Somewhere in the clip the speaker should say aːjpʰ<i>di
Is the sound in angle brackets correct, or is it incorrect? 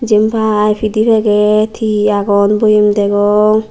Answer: correct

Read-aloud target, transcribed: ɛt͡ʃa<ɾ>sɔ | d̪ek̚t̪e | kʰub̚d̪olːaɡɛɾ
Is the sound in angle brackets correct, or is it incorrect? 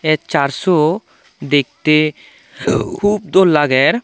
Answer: correct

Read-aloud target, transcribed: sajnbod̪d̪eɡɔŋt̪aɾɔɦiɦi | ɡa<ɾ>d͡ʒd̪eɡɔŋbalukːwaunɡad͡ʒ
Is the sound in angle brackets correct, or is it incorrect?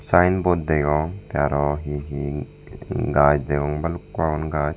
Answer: incorrect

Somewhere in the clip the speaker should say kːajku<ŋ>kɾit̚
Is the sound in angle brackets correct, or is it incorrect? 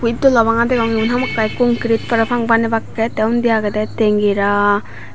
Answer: correct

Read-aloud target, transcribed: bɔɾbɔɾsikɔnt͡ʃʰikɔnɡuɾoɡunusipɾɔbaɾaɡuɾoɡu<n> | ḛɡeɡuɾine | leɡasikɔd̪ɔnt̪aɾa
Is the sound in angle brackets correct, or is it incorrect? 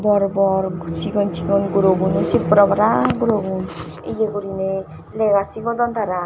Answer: correct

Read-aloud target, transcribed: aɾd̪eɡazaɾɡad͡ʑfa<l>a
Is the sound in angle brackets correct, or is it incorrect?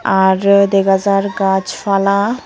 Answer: correct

